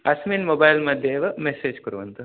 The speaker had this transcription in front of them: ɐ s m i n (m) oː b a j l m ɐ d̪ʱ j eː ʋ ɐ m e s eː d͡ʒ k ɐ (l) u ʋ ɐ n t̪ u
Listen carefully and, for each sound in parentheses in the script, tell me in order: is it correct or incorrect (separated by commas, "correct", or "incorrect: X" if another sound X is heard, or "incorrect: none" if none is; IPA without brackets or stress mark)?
correct, incorrect: ɾ